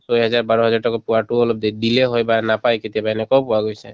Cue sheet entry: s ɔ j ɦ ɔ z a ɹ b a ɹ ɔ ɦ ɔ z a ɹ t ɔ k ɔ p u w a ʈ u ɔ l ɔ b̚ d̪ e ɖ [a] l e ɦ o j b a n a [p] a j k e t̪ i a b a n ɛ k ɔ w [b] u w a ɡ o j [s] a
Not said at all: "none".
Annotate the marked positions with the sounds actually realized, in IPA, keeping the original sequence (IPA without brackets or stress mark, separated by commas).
i, p, p, s